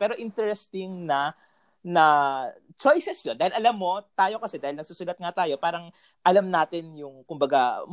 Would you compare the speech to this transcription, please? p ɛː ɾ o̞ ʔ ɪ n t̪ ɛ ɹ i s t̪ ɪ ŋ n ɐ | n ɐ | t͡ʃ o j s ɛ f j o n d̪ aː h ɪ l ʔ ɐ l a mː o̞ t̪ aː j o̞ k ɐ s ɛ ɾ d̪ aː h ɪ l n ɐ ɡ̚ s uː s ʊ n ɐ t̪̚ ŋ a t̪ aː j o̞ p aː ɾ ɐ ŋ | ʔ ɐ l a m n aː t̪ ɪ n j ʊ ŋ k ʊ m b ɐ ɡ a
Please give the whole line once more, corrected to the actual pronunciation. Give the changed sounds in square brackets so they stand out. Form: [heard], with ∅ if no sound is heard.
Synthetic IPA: p ɛː ɾ o̞ ʔ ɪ n t̪ ɛ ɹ [ɛ] s t̪ ɪ ŋ n ɐ | n ɐ | t͡ʃ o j s ɛ [s] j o n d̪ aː h ɪ l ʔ ɐ l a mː o̞ t̪ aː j o̞ k ɐ s ɛ [∅] d̪ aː h ɪ l n ɐ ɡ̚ s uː s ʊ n ɐ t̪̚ ŋ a t̪ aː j o̞ p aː ɾ ɐ ŋ | ʔ ɐ l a m n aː t̪ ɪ n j ʊ ŋ k ʊ m b ɐ ɡ a